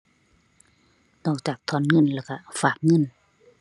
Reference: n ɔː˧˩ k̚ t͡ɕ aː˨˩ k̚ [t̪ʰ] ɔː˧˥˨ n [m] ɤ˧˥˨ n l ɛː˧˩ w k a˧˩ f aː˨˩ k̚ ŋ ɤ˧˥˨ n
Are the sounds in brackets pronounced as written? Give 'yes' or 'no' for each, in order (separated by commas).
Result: yes, no